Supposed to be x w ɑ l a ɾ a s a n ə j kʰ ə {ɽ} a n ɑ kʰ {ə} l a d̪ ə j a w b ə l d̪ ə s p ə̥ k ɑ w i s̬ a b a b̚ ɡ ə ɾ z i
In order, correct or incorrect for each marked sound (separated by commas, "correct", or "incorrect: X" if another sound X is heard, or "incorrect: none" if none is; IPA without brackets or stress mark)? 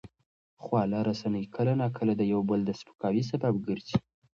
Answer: incorrect: l, correct